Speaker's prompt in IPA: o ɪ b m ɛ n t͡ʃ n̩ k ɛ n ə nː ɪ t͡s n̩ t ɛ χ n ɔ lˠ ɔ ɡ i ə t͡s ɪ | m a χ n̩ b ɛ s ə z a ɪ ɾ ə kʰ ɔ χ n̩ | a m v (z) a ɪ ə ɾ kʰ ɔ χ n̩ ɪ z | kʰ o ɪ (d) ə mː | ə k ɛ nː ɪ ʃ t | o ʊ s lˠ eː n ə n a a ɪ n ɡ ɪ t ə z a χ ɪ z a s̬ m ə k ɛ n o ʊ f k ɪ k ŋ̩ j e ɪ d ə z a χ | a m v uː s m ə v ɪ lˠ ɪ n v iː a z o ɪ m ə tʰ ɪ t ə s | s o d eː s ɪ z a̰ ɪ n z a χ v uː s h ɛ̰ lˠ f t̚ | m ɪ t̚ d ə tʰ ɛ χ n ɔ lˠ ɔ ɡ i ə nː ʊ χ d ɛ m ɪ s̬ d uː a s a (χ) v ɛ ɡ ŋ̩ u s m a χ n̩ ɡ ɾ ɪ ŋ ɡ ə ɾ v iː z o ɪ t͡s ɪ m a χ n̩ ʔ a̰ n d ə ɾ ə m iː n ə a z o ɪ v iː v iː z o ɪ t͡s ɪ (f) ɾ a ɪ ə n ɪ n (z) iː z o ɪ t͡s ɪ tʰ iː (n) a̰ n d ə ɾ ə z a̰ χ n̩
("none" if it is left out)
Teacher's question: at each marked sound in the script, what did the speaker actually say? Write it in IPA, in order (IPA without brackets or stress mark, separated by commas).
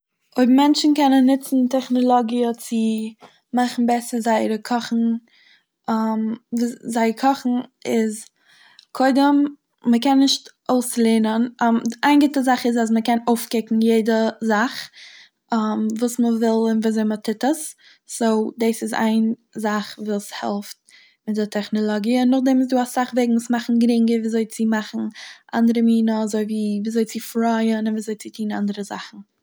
z, d, χ, f, v, n